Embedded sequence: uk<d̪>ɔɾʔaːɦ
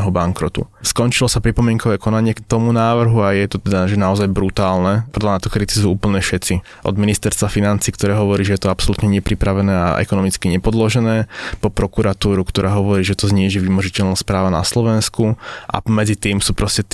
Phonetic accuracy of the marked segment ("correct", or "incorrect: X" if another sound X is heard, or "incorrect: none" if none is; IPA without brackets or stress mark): incorrect: t̪